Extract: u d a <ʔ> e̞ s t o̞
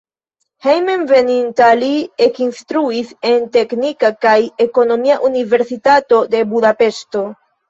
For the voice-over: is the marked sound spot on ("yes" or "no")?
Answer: no